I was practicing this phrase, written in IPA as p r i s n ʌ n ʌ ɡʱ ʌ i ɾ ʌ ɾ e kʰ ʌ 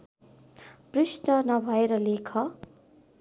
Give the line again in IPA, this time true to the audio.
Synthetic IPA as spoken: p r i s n ʌ n ʌ bʱ ʌ e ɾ ʌ l e kʰ ʌ